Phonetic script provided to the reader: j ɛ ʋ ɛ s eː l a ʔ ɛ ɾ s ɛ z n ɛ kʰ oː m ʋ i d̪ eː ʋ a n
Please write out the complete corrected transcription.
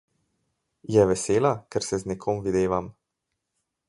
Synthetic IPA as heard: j ɛ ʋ ɛ s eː l a k ɛ ɾ s ɛ z n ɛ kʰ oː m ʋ i d̪ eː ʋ a m